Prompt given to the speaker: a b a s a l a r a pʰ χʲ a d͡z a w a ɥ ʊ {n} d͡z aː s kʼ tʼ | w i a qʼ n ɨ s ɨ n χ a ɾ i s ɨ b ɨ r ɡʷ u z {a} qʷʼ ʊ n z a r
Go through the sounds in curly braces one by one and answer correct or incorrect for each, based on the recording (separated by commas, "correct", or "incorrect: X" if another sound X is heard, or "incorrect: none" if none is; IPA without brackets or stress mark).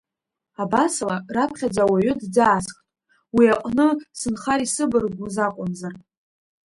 incorrect: d, correct